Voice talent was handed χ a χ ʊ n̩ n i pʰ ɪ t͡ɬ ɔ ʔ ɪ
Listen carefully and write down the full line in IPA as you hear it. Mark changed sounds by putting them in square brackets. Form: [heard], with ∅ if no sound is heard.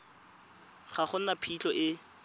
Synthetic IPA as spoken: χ a χ ʊ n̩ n [a] pʰ [i] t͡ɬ ɔ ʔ ɪ